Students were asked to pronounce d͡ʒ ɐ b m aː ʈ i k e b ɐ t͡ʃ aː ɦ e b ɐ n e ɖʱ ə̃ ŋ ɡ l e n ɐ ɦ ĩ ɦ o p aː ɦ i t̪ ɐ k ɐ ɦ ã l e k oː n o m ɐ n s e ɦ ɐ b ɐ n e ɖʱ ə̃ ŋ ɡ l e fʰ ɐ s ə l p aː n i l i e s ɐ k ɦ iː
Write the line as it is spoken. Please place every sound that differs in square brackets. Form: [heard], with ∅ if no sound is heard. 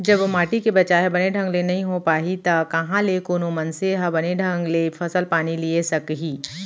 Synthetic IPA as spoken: d͡ʒ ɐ b m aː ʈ i k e b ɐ t͡ʃ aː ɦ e b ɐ n e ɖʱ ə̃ ŋ ɡ l e n ɐ ɦ ĩ ɦ o p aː ɦ i t̪ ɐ k ɐ ɦ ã l e k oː n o m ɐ n s e ɦ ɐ b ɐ n e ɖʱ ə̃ ŋ ɡ l e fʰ ɐ s ə l p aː n i l i e s ɐ k ɦ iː